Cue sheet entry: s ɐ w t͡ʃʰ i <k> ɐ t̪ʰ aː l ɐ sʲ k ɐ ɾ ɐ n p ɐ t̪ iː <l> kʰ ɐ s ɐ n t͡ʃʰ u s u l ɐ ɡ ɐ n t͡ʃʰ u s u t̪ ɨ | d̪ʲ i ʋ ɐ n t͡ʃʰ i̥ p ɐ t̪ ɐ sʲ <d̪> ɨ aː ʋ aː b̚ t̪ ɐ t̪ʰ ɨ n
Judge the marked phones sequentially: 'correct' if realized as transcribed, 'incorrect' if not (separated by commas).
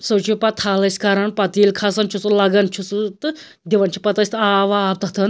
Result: incorrect, correct, incorrect